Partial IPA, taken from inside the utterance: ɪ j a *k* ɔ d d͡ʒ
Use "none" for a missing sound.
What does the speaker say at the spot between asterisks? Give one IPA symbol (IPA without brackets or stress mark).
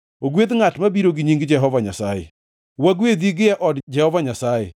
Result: ʔ